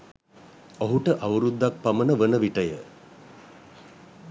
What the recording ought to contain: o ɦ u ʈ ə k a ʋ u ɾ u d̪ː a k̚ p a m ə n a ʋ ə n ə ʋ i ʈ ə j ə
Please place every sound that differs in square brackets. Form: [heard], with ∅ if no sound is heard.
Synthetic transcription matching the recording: o ɦ u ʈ ə [ʔ] a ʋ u ɾ u d̪ː a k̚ p a m ə n [ə] ʋ ə n ə ʋ i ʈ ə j ə